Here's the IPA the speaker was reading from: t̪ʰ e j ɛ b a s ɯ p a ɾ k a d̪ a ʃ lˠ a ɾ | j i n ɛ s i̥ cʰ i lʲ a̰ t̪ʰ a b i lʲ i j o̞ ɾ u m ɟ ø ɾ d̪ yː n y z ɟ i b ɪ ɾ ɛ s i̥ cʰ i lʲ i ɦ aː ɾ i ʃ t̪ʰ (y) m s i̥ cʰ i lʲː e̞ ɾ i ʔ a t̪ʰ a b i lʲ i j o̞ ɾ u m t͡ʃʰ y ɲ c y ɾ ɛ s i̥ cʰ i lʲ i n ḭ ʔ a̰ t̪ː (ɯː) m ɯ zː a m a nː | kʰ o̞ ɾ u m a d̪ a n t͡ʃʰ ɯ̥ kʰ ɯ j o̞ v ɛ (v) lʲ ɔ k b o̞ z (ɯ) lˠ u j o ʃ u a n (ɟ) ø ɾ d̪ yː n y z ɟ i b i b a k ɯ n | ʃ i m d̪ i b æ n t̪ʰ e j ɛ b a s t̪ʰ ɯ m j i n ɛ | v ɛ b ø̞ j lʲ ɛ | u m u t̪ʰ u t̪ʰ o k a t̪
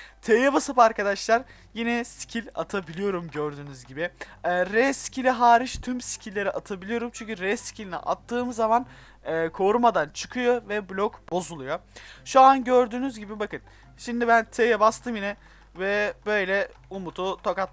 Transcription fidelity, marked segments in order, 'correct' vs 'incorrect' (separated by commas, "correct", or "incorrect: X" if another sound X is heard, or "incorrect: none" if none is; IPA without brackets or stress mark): correct, correct, incorrect: b, incorrect: u, correct